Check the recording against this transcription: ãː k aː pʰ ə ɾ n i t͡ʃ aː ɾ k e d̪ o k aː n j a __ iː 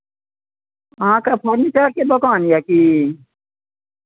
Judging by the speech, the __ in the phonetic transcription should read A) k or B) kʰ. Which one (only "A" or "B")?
A